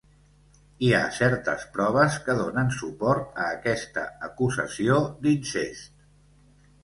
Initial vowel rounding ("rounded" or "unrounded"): unrounded